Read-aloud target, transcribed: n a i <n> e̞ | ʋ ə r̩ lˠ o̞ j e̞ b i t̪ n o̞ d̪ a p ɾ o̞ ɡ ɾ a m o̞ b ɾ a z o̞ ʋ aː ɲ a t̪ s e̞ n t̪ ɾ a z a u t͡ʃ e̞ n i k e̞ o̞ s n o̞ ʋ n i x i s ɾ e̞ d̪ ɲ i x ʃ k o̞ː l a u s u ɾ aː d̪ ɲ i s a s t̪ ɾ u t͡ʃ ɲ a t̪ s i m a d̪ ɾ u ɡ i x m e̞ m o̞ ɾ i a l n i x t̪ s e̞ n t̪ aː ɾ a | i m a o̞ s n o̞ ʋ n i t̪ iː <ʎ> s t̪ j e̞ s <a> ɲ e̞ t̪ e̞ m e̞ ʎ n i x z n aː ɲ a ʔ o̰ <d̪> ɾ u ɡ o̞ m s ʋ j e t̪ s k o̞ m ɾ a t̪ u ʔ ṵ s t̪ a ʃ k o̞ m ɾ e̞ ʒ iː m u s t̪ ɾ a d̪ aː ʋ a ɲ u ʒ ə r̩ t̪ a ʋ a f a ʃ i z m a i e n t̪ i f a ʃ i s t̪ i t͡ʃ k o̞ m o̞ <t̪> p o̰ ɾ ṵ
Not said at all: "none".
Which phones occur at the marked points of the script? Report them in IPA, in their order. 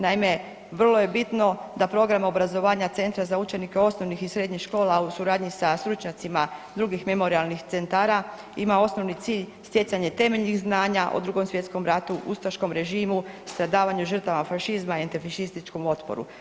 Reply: m, ʎ, a, d̪, t̪

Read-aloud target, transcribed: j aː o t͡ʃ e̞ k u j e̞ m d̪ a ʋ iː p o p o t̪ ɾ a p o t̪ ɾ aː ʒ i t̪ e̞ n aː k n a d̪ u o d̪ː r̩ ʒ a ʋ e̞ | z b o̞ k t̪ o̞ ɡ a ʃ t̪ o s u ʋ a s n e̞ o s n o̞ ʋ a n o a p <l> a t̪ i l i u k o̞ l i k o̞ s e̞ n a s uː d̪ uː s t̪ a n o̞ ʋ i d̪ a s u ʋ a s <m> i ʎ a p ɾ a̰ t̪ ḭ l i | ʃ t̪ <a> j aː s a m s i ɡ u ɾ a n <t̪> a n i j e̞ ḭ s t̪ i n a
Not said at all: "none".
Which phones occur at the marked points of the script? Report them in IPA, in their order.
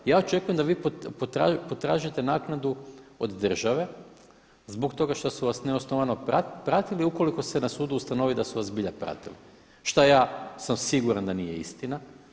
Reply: ɾ, b, a, d̪

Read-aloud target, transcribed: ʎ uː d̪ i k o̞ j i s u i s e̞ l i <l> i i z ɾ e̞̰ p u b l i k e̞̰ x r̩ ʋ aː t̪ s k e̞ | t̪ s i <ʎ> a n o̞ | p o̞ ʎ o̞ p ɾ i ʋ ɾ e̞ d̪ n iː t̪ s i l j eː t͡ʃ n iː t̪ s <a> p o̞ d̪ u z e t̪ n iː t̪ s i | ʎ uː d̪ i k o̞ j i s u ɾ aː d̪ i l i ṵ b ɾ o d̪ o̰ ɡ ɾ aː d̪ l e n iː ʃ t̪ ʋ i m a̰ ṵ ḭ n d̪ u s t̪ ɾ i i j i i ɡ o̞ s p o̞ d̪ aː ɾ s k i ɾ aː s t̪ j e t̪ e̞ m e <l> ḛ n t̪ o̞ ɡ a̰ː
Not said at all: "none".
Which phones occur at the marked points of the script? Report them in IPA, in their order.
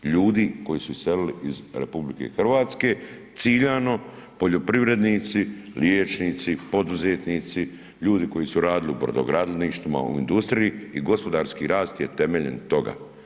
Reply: l, ʎ, i, ʎ

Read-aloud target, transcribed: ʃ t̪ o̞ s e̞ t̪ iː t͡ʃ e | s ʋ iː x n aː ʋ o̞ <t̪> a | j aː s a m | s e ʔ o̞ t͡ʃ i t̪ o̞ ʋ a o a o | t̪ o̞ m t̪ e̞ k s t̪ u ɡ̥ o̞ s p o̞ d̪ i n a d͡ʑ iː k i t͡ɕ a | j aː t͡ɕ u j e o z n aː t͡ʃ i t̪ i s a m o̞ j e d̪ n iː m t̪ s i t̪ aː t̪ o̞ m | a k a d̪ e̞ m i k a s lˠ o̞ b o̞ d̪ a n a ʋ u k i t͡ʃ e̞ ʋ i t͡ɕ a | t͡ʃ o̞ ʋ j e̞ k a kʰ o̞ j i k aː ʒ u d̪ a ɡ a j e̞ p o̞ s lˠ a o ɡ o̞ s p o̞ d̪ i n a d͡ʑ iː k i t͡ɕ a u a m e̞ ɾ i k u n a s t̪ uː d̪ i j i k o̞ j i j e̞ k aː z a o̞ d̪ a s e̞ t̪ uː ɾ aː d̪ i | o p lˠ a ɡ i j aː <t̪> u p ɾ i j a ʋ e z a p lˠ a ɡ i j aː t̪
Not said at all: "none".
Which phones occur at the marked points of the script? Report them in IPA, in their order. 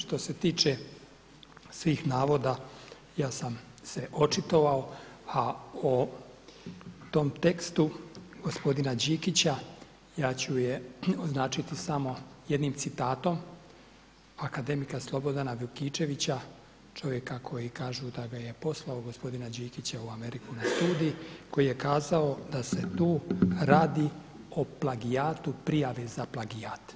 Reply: d̪, t̪

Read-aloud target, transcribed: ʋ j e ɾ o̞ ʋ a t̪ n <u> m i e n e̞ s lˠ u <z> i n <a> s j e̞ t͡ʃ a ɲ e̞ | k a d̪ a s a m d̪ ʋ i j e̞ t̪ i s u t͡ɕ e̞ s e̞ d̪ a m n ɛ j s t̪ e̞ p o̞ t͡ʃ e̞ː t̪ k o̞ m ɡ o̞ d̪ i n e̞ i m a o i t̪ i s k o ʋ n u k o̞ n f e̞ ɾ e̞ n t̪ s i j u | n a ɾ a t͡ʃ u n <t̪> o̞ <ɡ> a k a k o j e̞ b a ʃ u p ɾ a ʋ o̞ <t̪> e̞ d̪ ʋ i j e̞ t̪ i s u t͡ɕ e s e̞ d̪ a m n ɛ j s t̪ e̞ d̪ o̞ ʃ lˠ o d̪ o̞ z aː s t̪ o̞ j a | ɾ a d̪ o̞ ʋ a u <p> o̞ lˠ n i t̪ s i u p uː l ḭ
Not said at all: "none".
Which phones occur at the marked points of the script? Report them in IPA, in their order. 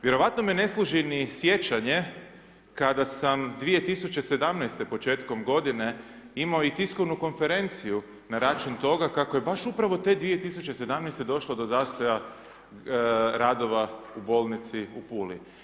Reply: o, ʒ, i, t̪, ɡ, t̪, b

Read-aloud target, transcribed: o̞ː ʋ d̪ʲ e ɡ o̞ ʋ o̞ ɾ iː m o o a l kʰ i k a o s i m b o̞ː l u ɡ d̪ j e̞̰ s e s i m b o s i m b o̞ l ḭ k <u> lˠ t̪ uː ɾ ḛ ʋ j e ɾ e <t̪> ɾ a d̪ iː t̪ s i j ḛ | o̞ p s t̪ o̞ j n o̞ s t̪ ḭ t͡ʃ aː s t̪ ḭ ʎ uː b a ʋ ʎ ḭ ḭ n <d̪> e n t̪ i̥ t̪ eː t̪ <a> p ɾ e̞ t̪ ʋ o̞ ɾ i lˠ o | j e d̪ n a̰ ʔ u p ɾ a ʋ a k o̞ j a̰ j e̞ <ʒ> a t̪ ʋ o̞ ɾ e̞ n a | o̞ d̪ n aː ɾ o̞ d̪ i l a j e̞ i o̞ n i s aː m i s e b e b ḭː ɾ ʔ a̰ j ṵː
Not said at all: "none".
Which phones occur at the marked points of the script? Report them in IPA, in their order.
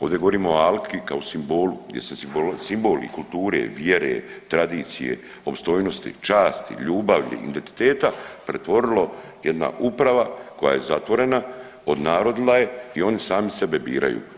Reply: u, t̪, d̪, a, z

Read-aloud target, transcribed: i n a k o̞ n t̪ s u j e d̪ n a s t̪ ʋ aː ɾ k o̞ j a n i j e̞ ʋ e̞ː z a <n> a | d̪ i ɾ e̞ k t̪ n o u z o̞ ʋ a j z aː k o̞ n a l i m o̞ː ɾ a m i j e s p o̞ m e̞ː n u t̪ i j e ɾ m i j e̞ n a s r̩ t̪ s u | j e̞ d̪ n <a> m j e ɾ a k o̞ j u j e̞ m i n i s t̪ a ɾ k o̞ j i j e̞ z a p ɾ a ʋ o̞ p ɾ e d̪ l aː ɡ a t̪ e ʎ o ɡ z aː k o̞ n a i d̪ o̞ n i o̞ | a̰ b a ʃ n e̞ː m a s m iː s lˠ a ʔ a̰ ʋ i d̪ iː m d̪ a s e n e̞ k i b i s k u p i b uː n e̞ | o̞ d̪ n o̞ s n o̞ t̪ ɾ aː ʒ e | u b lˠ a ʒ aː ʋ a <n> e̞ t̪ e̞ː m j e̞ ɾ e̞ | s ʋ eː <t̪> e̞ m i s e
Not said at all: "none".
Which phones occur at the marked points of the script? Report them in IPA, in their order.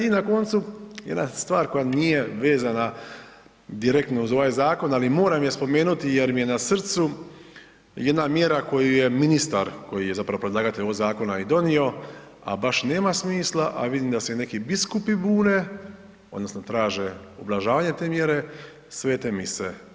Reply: n, a, ɲ, t̪

